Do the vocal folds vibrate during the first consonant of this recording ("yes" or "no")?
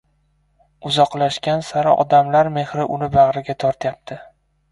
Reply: yes